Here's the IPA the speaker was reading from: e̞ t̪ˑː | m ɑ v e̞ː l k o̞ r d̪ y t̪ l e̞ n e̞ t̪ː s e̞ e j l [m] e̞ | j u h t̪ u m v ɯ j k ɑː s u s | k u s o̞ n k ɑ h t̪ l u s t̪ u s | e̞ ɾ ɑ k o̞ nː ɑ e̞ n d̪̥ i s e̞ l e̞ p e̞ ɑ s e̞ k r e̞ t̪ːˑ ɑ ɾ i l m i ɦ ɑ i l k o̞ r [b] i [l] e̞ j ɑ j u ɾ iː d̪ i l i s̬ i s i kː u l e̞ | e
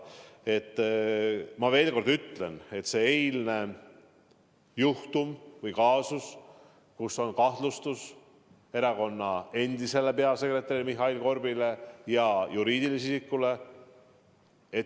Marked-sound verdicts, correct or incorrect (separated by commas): incorrect, correct, correct